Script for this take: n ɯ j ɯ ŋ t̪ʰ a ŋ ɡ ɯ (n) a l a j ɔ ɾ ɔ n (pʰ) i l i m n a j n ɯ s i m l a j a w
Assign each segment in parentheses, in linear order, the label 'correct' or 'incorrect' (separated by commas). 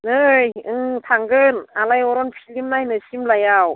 correct, correct